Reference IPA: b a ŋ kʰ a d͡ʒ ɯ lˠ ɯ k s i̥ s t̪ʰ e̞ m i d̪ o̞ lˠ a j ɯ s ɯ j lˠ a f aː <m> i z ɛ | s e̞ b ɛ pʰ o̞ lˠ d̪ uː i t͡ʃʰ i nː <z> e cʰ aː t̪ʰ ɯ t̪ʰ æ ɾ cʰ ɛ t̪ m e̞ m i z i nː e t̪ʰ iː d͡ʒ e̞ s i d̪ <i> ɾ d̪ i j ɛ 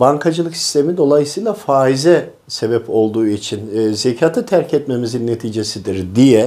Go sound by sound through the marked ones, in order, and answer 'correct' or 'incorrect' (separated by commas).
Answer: incorrect, correct, correct